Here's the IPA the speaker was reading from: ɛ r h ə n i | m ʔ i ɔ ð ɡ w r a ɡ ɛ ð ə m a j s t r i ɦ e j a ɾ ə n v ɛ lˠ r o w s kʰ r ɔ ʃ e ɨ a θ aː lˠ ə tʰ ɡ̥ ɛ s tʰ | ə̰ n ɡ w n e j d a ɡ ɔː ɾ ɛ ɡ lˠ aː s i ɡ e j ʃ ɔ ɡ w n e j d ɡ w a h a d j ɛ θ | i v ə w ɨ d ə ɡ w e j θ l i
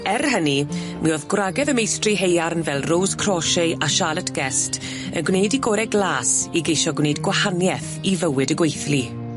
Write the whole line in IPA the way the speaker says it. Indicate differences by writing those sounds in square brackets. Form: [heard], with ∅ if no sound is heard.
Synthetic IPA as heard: ɛ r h ə n i | m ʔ i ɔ ð ɡ w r a ɡ ɛ ð ə m [e] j s t r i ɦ e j a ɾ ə n v ɛ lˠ r o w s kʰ r ɔ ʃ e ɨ a [ʃ] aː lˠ ə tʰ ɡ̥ ɛ s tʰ | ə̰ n ɡ w n e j d [i] ɡ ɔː ɾ ɛ ɡ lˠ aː s i ɡ e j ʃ ɔ ɡ w n e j d ɡ w a h a [n] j ɛ θ | i v ə w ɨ d ə ɡ w e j θ l i